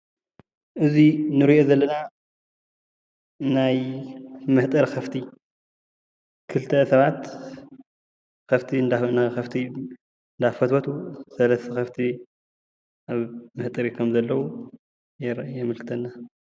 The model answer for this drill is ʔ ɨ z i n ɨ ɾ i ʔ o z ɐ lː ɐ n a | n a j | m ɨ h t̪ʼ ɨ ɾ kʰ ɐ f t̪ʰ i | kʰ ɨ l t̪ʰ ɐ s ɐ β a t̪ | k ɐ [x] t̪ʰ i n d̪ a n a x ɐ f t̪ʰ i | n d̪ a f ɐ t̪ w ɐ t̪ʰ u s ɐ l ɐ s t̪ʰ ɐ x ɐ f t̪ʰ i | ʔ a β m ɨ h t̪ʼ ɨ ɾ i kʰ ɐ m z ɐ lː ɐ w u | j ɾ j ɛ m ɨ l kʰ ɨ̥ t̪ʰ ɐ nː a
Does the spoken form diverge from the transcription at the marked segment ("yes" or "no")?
yes